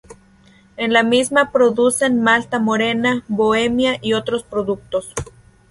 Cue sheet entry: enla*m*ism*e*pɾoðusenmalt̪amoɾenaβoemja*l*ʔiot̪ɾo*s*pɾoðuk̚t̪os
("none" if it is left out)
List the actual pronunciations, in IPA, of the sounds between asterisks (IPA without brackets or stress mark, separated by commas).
m, a, none, s